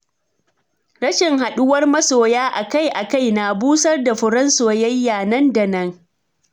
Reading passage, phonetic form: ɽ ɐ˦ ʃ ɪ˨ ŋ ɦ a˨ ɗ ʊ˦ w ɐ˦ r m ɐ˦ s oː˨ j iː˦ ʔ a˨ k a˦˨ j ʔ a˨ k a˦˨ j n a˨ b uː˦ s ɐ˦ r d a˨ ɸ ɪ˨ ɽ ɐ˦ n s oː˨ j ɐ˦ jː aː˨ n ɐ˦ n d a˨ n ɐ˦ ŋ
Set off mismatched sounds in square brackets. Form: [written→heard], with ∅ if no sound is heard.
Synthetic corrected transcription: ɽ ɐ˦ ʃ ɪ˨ ŋ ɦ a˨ ɗ ʊ˦ w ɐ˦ r m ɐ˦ s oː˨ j [iː˦→aː˦] ʔ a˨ k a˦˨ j ʔ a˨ k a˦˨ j n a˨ b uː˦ s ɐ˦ r d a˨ ɸ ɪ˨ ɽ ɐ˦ n s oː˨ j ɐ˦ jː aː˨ n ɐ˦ n d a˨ n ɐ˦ ŋ